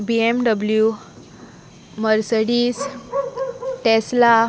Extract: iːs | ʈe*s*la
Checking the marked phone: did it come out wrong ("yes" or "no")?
no